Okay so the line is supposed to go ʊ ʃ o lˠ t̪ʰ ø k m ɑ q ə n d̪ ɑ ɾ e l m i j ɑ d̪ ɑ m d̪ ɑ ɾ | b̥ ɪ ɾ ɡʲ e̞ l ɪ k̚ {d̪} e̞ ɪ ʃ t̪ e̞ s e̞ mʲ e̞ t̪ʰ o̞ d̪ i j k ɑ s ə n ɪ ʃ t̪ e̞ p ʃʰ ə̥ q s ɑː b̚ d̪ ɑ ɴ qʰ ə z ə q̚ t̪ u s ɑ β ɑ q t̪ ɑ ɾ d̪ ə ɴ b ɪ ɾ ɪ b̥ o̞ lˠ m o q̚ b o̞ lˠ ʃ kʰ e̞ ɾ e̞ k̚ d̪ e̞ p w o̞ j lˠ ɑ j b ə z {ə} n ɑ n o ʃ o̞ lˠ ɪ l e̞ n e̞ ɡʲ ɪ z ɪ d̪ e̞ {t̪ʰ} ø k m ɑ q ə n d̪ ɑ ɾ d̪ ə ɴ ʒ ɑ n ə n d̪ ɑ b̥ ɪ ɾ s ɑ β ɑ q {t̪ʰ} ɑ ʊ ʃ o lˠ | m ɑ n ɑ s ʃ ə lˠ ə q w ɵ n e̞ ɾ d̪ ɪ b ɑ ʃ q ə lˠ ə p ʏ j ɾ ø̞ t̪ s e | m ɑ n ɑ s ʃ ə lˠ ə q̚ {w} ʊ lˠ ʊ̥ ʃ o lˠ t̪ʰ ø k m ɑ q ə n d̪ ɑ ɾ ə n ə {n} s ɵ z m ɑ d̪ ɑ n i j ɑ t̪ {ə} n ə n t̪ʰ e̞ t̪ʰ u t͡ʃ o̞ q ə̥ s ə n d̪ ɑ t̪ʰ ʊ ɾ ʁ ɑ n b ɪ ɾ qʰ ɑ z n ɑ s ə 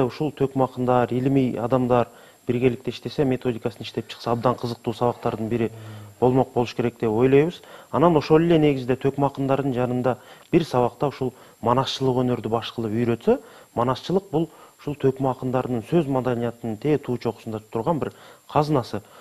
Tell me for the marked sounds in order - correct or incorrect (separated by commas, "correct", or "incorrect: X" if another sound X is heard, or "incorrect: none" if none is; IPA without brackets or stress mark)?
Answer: incorrect: t̪, incorrect: ɑ, correct, incorrect: t̪, incorrect: b, incorrect: ɴ, correct